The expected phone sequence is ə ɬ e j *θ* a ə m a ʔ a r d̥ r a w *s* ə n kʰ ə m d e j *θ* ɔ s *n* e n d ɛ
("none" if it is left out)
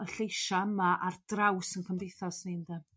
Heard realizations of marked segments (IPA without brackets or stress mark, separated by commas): ʃ, s, θ, n